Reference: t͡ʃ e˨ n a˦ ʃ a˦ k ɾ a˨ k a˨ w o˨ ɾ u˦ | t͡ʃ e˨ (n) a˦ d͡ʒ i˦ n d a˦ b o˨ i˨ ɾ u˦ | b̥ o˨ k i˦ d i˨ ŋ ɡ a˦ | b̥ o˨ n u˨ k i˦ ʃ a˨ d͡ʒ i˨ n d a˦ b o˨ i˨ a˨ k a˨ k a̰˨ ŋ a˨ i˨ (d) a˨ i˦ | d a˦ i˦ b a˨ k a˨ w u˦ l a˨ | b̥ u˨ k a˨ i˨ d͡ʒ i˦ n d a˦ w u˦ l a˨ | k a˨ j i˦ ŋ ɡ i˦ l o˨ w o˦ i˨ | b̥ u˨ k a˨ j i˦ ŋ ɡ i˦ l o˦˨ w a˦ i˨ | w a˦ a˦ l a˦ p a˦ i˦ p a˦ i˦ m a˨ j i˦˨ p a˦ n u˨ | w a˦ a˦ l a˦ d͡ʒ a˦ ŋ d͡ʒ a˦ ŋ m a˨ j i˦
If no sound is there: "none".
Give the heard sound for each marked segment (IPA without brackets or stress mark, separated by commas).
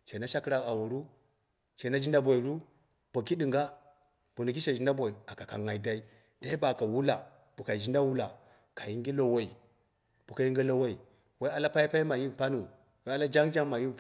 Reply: n, d